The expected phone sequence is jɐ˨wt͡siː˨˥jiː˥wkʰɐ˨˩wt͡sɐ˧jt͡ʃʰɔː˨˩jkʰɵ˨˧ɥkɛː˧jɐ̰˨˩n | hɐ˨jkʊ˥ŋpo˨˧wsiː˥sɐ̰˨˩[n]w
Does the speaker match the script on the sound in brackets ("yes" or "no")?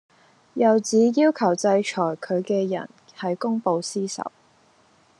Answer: no